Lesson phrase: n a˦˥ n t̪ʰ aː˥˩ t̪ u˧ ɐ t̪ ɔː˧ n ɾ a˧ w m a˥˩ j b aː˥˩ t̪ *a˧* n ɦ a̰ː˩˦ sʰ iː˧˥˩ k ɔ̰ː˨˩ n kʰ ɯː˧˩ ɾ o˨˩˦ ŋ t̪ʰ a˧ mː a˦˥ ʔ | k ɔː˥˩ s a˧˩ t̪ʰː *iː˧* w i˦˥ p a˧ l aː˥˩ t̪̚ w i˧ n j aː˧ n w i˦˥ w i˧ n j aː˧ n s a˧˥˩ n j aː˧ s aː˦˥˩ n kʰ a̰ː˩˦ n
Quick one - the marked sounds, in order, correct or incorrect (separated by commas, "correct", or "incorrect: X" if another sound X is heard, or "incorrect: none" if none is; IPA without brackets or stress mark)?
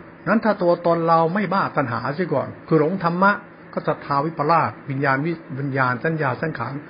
correct, incorrect: aː˧